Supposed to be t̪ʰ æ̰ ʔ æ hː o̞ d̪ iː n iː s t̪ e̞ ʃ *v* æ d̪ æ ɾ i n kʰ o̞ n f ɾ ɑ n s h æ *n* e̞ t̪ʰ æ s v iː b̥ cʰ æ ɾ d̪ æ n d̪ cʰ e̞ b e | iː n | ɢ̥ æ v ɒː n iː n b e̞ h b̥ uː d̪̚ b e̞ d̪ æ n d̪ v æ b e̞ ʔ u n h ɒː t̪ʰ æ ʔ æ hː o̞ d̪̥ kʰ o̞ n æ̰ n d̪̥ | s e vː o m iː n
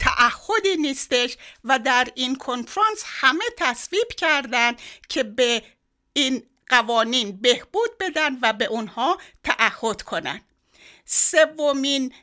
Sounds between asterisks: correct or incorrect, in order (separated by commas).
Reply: correct, incorrect